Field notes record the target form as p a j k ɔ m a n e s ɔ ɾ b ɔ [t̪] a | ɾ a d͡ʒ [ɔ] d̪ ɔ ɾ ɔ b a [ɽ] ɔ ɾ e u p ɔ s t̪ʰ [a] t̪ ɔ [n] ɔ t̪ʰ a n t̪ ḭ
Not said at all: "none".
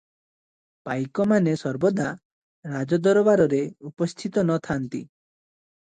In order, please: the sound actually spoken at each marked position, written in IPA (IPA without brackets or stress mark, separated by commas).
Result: d̪, ɔ, ɾ, i, n